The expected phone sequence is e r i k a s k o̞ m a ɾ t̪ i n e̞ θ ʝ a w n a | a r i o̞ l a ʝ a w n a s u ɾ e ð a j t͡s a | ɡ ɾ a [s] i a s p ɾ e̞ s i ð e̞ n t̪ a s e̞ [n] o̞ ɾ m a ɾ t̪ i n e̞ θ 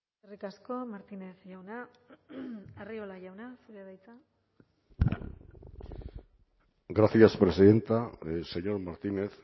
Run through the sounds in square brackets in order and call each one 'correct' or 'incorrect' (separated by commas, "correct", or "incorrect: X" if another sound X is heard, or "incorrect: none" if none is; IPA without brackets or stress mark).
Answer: incorrect: θ, incorrect: ɲ